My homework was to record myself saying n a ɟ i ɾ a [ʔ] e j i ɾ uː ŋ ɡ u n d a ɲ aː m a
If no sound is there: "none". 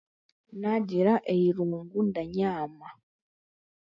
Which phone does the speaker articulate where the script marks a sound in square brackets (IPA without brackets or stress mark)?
ʔ